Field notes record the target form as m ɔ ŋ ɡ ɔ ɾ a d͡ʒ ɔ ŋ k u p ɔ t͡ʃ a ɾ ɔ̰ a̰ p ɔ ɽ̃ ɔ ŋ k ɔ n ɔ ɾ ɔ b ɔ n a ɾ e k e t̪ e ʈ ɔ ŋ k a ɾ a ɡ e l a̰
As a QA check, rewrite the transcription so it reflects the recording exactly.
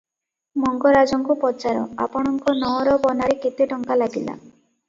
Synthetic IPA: m ɔ ŋ ɡ ɔ ɾ a d͡ʒ ɔ ŋ k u p ɔ t͡ʃ a ɾ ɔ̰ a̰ p ɔ ɽ̃ ɔ ŋ k ɔ n ɔ ɾ ɔ b ɔ n a ɾ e k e t̪ e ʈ ɔ ŋ k a l a ɡ i l a̰